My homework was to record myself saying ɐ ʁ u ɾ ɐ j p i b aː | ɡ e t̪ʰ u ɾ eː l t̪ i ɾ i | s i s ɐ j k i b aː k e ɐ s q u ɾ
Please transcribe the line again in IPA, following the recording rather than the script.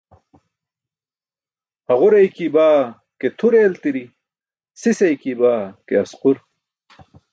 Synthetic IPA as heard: ɐ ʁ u ɾ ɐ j k i b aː | k e t̪ʰ u ɾ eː l t̪ i ɾ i | s i s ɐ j k i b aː k e ɐ s q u ɾ